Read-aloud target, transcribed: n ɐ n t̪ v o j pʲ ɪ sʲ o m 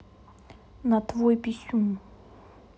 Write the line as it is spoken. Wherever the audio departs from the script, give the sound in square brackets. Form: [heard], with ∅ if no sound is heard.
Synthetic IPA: n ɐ [∅] t̪ v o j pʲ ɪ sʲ [u] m